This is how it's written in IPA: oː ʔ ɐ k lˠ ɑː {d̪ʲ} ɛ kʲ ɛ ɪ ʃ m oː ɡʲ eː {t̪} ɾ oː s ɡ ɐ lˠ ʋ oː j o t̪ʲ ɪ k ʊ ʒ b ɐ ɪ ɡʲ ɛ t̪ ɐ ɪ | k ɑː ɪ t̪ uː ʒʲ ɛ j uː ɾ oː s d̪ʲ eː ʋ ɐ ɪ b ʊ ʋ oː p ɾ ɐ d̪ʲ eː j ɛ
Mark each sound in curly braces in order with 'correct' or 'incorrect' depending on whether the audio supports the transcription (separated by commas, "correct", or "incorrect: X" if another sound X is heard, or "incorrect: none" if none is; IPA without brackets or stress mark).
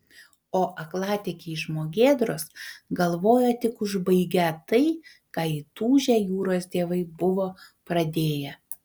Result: incorrect: t̪ʲ, incorrect: d̪